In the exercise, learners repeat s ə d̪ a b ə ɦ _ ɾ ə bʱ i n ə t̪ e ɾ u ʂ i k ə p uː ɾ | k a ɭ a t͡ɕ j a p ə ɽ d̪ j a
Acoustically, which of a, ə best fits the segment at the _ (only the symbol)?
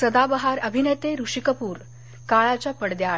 a